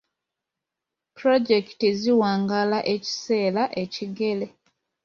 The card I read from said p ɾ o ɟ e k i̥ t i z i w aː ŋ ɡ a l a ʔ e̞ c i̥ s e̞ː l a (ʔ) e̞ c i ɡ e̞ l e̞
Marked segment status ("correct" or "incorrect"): correct